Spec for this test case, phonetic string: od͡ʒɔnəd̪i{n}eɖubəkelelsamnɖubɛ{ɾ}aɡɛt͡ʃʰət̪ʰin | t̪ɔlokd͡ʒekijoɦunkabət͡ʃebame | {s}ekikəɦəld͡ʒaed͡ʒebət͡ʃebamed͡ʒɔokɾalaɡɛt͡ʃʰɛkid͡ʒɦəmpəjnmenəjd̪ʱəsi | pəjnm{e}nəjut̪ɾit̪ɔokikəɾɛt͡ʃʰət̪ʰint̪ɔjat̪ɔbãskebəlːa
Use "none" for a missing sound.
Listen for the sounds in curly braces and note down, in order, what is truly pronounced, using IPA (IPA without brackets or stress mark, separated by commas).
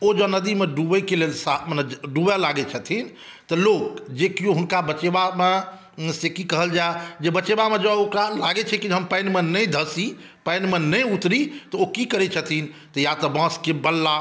m, l, s, e